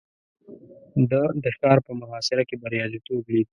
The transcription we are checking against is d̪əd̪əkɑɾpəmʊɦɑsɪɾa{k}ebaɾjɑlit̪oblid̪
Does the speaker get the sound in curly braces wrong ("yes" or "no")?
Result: no